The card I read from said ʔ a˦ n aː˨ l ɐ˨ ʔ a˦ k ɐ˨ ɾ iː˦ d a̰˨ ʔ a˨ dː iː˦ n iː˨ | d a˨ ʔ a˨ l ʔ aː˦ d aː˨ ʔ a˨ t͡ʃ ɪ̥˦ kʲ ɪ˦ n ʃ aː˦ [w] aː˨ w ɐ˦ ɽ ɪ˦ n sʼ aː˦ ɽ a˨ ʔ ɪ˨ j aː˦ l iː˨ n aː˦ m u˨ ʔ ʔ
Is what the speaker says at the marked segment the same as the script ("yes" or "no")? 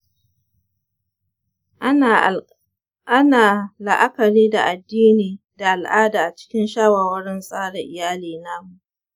yes